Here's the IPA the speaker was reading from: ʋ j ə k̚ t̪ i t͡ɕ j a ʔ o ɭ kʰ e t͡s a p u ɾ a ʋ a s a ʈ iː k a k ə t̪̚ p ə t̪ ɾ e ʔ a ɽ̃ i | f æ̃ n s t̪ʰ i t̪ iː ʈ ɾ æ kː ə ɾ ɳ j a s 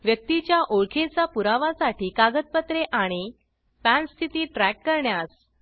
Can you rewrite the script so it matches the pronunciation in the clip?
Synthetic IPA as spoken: ʋ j ə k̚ t̪ i t͡ɕ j a ʔ o ɭ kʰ e t͡s a p u ɾ a ʋ a s a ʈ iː k a ɡ ə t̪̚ p ə t̪ ɾ e ʔ a ɽ̃ i | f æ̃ n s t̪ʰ i t̪ iː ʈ ɾ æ kː ə ɾ ɳ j a s